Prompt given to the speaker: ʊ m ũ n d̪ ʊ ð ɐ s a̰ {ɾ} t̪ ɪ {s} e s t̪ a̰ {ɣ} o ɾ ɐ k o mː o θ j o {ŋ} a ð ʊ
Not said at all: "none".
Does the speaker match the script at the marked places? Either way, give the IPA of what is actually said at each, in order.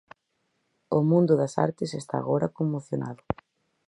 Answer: ɾ, s, ɣ, n

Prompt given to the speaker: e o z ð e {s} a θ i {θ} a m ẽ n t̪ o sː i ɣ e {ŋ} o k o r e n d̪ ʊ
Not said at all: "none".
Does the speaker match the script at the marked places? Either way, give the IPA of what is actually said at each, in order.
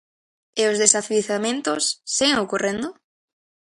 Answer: s, θ, ŋ

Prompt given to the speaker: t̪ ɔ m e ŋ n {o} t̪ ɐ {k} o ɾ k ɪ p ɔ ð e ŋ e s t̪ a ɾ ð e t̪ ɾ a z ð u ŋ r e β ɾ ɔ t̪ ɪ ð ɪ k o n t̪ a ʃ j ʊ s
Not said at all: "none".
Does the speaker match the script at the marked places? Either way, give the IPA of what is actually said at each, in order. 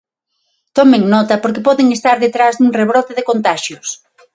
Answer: ɔ, p

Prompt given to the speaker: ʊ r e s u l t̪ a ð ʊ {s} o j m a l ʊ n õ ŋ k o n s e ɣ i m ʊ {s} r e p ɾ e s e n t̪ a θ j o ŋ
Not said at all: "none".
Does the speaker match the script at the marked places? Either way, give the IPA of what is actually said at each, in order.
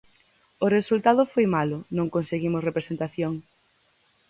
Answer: f, s

